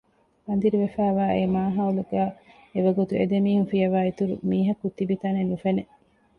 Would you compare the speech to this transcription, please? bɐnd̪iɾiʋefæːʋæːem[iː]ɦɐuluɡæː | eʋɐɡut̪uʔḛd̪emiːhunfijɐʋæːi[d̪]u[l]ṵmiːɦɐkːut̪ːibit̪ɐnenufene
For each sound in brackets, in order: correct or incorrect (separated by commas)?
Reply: incorrect, incorrect, incorrect